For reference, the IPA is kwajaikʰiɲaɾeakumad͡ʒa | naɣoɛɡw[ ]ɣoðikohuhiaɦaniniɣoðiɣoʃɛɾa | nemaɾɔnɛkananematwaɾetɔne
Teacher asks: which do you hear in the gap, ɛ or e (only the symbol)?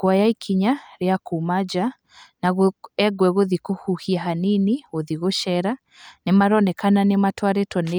ɛ